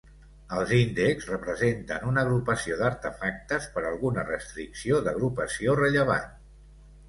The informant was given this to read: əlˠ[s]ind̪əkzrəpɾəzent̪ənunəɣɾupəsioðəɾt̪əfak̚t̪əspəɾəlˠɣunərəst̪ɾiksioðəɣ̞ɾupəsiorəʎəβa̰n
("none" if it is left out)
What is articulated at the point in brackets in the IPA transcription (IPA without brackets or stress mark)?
z